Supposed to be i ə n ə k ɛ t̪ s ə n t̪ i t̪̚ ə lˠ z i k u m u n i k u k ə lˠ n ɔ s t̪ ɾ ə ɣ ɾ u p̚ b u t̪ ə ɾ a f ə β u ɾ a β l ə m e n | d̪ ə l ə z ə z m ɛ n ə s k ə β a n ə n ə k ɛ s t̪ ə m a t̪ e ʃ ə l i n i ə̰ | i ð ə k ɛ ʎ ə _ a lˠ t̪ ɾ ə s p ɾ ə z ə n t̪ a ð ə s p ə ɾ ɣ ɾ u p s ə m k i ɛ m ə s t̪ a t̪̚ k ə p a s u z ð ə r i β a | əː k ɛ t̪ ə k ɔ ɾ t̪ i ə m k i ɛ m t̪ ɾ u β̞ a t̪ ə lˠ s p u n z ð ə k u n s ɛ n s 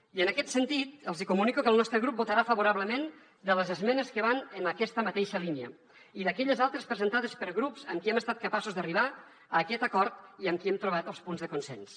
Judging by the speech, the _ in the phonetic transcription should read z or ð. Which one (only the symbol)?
z